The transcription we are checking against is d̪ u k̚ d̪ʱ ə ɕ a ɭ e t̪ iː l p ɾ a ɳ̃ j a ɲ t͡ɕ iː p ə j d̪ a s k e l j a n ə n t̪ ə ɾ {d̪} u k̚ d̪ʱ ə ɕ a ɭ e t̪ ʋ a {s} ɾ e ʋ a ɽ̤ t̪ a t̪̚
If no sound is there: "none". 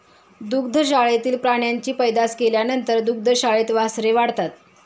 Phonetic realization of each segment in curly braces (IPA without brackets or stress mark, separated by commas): d̪, s